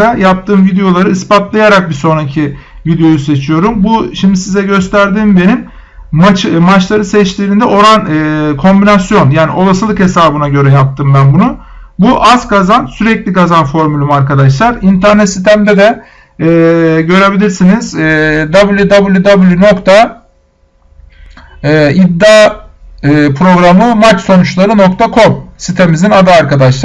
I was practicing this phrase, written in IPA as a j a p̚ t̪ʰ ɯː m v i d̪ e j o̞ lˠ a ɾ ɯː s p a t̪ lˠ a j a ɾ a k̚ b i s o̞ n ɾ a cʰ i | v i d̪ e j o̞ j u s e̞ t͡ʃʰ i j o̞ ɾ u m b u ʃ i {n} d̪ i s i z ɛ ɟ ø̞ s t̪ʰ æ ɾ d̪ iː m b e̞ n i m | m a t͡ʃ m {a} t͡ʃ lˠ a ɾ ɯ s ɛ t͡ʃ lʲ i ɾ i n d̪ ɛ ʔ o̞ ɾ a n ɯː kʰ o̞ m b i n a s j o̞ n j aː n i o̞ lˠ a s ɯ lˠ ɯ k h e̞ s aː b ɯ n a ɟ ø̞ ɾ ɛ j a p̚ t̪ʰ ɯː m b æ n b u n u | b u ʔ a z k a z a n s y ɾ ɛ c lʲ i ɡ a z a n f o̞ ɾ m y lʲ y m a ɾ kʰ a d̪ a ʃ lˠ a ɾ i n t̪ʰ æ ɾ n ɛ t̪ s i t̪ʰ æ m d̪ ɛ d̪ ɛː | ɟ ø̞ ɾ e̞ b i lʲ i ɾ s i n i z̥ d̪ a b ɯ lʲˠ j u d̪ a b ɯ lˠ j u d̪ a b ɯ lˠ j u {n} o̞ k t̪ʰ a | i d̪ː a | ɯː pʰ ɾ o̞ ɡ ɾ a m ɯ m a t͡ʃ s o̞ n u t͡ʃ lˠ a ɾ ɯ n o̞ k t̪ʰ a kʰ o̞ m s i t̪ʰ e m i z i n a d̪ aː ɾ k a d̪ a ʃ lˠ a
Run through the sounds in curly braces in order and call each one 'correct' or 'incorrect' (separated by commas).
incorrect, correct, correct